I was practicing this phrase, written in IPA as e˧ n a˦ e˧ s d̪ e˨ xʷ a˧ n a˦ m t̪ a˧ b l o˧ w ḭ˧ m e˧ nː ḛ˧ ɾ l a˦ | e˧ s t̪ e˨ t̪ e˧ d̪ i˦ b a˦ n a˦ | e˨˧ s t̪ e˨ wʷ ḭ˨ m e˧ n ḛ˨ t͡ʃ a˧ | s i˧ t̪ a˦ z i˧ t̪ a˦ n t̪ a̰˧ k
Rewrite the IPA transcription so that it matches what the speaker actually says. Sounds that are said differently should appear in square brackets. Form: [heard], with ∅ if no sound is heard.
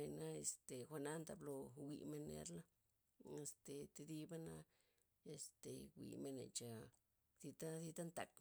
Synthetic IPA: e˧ n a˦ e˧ s [t̪] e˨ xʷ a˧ n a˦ [n] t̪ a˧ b l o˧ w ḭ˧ m e˧ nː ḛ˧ ɾ l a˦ | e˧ s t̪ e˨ t̪ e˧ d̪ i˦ b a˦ n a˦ | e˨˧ s t̪ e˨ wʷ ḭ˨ m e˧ n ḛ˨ t͡ʃ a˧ | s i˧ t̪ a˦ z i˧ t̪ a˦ n t̪ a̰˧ k